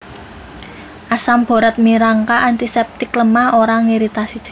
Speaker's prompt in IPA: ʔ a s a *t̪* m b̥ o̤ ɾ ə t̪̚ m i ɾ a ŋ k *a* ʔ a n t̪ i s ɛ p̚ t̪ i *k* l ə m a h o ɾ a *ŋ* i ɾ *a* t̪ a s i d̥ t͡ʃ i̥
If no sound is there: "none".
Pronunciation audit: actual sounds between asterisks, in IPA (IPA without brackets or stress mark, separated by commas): none, a, k, ŋ, i